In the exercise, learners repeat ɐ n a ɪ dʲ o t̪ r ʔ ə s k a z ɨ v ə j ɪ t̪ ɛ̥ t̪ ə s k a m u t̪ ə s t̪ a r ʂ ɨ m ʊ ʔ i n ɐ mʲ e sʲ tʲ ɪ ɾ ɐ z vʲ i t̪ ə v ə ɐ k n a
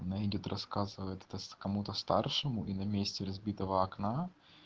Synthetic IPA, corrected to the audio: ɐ n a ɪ dʲ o t̪ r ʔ ɐ s k a z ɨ v ə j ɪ t̪ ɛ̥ t̪ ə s k ɐ m u t̪ ə s t̪ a r ʂ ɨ m ʊ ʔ i n ɐ mʲ e sʲ tʲ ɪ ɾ ɐ z bʲ i t̪ ə v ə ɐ k n a